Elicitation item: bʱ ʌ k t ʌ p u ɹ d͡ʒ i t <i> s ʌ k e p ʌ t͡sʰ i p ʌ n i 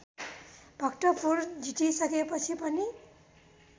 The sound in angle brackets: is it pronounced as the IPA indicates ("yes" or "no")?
yes